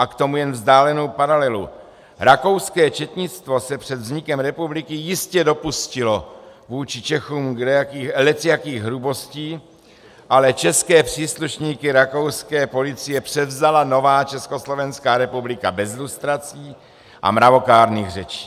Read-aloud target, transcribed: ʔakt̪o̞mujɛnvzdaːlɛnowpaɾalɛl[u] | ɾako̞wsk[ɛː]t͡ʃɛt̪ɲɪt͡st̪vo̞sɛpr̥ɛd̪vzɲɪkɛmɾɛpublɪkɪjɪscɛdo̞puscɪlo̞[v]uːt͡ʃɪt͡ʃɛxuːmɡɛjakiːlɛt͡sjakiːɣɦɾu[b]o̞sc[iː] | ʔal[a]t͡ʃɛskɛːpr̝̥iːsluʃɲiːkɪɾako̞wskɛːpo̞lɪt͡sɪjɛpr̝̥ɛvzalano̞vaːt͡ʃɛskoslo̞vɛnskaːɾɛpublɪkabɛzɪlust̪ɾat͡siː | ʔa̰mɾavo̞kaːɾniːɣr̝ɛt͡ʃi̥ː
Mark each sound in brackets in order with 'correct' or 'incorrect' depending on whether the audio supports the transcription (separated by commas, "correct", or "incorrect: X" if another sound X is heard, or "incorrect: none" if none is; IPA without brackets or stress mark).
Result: correct, correct, correct, correct, correct, incorrect: ɛ